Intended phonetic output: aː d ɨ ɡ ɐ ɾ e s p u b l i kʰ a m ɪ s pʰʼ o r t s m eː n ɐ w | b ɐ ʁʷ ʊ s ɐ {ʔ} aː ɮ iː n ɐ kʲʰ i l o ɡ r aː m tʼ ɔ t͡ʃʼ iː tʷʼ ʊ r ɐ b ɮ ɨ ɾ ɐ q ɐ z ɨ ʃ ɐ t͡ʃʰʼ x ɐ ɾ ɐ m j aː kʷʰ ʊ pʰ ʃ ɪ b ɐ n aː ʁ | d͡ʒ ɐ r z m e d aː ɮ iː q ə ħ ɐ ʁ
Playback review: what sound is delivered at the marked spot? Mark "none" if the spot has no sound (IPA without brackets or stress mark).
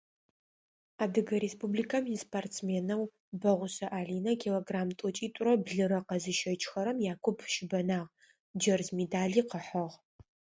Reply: ʔ